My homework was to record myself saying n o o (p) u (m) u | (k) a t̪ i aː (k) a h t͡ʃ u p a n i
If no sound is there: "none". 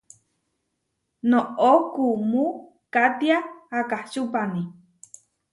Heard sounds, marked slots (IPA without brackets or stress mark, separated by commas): k, m, k, k